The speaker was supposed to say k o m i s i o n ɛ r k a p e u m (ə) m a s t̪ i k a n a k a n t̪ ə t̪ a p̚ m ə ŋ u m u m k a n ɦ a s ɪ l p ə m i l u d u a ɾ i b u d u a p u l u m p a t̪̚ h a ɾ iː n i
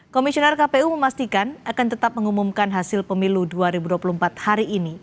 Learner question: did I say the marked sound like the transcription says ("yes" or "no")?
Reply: yes